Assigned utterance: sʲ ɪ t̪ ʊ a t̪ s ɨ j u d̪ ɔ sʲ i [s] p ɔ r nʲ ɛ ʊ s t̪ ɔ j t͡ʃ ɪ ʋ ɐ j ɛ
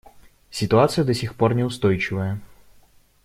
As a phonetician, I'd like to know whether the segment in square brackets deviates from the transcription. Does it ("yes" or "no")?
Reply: yes